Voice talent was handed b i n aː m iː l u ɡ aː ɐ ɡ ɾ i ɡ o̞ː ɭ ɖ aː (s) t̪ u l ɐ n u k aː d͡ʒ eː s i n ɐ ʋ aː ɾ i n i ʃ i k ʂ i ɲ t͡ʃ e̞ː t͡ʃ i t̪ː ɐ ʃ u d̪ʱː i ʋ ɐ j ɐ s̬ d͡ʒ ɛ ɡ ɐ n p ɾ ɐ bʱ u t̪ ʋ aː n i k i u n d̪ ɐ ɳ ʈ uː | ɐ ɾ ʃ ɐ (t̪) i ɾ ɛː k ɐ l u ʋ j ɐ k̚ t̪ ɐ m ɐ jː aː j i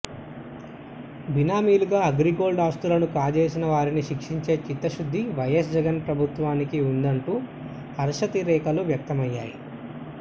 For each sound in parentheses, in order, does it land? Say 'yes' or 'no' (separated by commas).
yes, yes